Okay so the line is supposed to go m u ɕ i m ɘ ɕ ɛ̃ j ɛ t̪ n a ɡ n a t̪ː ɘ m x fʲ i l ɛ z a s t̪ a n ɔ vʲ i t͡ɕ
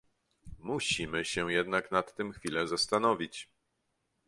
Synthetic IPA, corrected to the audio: m u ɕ i m ɘ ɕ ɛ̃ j ɛ d̪ n a k n a t̪ː ɘ m x fʲ i l ɛ z a s t̪ a n ɔ vʲ i t͡ɕ